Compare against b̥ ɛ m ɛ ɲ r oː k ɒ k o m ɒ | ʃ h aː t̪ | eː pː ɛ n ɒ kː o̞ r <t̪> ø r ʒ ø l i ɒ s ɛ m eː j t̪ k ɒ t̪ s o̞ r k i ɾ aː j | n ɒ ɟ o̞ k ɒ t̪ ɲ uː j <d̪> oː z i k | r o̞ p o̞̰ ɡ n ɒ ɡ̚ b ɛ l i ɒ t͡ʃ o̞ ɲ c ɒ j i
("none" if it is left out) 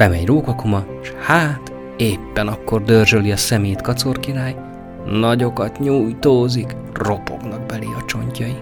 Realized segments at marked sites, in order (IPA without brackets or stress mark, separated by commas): d̪, t̪